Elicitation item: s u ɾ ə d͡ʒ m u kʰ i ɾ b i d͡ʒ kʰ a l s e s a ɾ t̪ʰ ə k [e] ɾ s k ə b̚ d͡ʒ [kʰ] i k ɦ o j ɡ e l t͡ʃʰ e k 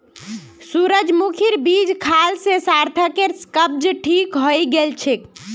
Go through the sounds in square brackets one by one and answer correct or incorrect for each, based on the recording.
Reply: correct, incorrect: ʈʰ

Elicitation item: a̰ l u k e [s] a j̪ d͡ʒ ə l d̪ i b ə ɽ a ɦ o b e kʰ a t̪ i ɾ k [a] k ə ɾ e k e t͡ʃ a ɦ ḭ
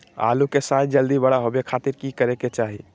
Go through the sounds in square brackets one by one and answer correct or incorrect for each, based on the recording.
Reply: correct, incorrect: i

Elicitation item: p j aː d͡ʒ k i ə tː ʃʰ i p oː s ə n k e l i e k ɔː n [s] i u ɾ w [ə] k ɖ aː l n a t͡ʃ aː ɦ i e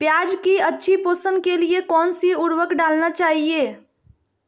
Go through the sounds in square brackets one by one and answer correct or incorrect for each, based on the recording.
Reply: correct, correct

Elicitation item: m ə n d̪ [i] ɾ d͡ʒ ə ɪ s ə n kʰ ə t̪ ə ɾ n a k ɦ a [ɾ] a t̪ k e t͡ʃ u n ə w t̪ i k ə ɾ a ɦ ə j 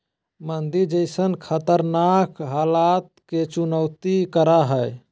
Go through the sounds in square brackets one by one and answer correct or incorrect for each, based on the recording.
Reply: correct, incorrect: l

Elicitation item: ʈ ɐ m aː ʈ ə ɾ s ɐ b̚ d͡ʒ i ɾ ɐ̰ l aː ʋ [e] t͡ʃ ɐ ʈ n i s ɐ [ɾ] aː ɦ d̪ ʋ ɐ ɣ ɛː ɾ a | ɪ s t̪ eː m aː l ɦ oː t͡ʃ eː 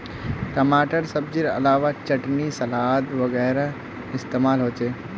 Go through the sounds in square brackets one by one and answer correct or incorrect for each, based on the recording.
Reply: incorrect: a, incorrect: l

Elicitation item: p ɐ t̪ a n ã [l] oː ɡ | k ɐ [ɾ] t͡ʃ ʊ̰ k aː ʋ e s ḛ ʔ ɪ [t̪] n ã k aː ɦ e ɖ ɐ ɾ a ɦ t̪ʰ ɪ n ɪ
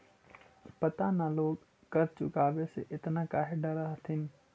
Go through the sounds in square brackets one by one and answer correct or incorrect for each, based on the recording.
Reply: correct, correct, correct

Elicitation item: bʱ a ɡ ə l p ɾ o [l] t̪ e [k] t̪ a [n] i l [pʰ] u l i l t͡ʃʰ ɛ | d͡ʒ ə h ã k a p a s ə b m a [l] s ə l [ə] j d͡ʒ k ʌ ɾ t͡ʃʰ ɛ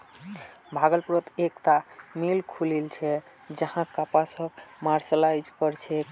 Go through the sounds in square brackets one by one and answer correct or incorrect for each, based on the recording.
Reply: incorrect: none, correct, incorrect: m, incorrect: kʰ, incorrect: ɾ, incorrect: a

